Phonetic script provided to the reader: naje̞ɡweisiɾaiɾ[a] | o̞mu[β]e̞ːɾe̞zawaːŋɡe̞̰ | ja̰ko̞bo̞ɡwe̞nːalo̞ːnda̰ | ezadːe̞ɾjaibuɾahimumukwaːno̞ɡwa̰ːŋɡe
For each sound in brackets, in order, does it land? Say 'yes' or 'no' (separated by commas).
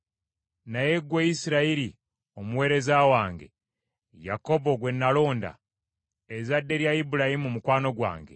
no, no